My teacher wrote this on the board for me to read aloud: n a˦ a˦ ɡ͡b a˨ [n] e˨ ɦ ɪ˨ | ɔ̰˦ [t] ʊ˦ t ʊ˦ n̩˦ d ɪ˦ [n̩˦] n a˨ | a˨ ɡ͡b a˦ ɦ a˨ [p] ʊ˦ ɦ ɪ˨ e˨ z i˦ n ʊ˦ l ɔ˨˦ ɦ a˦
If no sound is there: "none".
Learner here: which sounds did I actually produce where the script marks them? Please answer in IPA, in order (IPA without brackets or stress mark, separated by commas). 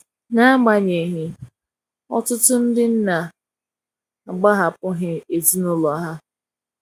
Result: ɲ, t, n̩˦, p